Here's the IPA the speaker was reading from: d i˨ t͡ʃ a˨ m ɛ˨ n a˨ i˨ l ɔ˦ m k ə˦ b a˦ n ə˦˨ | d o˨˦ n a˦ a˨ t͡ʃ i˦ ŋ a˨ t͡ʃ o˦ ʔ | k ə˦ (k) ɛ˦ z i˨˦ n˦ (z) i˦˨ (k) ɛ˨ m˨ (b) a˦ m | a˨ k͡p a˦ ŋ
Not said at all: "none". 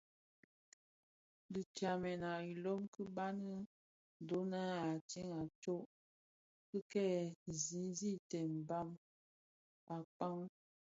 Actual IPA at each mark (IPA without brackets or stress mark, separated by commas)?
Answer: k, z, t, b